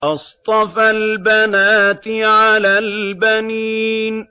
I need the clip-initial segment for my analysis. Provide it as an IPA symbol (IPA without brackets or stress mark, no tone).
ʔ